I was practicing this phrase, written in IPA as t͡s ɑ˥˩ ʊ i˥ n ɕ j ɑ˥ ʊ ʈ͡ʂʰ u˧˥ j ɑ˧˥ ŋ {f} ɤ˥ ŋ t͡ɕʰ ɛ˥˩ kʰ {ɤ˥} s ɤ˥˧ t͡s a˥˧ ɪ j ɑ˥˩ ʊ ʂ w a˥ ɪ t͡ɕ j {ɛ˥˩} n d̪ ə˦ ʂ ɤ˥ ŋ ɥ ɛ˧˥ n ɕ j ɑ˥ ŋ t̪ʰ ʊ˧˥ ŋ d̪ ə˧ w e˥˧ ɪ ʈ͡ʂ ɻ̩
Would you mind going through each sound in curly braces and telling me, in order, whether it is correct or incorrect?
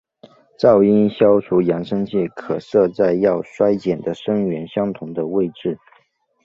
incorrect: ʂ, incorrect: ɤ˨˩, incorrect: ɛ˨˩

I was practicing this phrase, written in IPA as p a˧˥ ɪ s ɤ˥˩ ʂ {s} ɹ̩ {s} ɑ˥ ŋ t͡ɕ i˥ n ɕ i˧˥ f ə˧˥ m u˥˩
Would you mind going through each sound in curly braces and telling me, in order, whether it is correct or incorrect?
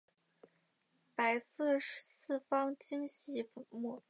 correct, incorrect: f

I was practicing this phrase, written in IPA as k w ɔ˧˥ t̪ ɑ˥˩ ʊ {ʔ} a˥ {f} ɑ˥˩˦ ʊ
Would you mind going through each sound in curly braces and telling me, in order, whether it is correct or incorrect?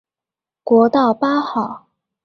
incorrect: p, incorrect: x

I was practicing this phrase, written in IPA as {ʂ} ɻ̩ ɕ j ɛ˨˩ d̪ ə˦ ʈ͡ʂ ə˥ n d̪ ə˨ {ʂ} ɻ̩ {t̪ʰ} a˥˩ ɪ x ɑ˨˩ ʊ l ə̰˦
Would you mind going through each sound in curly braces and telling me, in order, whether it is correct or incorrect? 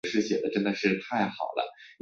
correct, correct, correct

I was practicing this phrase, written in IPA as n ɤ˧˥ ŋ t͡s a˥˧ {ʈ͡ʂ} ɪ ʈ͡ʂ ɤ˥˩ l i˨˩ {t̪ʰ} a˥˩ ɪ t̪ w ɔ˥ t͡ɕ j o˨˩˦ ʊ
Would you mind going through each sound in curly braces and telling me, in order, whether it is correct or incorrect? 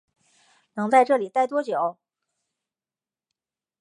incorrect: none, incorrect: t̪

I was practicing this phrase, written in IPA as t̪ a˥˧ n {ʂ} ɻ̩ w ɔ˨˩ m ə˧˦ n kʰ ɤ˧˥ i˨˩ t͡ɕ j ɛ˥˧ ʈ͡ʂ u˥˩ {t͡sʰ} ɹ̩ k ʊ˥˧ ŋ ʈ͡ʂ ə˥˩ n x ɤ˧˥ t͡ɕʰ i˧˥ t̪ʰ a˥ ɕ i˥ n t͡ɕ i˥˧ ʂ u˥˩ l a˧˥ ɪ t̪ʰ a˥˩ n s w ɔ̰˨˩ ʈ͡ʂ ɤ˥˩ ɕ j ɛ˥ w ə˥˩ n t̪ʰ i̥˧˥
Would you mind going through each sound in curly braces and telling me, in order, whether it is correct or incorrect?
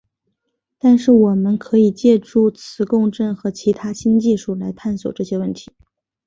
correct, correct

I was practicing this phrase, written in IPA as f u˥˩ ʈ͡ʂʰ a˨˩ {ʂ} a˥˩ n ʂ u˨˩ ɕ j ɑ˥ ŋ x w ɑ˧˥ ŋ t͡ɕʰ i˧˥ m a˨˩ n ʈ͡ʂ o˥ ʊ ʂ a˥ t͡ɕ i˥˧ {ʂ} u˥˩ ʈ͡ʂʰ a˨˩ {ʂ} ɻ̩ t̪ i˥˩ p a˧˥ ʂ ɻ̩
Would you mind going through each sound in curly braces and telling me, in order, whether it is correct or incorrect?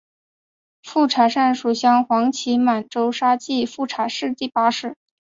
correct, incorrect: f, correct

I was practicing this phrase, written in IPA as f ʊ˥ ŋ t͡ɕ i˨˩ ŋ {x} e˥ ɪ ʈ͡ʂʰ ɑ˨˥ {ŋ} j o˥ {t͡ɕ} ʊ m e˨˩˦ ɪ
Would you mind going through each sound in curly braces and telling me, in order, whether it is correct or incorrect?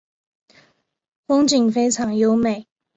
incorrect: f, correct, incorrect: none

